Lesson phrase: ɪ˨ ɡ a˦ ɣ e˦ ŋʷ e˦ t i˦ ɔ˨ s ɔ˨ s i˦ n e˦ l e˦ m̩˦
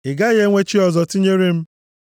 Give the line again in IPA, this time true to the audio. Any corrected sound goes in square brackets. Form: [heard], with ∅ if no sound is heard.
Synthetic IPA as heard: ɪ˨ ɡ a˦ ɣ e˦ ŋʷ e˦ [t͡ʃ] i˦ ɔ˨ [z] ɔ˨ [t] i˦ [ɲ] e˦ [ɾ] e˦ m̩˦